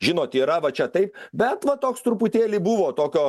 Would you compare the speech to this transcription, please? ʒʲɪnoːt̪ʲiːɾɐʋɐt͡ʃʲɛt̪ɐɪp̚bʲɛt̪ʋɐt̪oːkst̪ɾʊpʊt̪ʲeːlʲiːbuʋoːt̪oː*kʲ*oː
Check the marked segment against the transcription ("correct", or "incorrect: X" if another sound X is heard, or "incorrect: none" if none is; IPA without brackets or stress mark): correct